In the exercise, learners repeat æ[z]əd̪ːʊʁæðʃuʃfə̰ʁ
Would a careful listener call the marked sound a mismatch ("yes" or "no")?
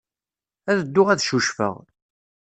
yes